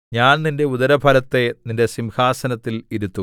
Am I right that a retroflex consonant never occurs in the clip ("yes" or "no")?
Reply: yes